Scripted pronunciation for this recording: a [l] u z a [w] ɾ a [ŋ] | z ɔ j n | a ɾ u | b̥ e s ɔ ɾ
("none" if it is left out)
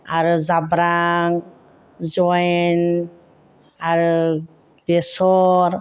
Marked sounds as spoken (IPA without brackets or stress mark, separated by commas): ɾ, b, ŋ